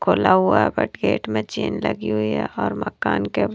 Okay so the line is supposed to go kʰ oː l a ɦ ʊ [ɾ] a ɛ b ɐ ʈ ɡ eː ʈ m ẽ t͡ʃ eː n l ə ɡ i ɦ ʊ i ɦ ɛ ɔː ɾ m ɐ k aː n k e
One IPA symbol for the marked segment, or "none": none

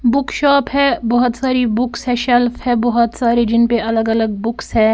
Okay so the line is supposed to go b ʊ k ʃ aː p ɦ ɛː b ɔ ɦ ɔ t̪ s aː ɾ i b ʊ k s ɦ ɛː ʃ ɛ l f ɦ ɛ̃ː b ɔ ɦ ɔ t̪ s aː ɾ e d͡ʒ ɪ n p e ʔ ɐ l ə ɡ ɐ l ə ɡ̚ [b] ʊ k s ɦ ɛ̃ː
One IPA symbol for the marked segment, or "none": b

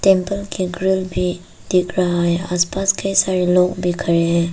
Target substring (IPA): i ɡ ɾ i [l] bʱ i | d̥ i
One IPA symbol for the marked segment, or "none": l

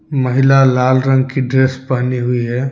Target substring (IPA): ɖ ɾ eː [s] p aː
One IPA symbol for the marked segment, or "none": s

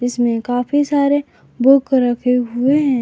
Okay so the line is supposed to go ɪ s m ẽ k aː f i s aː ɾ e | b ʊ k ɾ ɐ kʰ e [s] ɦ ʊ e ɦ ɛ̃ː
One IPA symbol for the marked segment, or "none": none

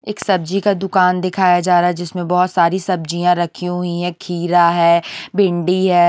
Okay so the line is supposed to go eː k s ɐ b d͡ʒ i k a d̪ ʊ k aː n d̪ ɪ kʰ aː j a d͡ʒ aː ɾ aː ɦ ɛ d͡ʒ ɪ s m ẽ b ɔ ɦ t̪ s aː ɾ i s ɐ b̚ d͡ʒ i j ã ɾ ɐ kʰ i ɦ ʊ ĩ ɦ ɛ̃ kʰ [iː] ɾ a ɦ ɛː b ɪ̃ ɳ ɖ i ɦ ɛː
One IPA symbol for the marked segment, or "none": iː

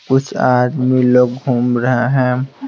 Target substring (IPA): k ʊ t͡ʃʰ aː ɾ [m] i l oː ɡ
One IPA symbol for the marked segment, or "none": m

